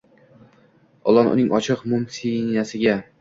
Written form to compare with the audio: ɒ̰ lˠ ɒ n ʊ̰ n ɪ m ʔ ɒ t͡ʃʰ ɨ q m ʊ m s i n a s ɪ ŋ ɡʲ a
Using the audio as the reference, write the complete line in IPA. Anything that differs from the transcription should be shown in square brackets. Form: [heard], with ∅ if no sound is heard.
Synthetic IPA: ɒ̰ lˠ ɒ n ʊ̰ n ɪ [ŋ] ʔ ɒ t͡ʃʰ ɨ q m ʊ m s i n a s ɪ [∅] ɡʲ a